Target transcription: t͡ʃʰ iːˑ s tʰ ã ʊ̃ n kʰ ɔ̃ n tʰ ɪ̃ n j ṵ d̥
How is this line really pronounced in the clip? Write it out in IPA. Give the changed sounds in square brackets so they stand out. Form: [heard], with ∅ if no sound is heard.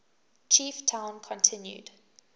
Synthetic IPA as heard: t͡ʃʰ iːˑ [f] tʰ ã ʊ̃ n kʰ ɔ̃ n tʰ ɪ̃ n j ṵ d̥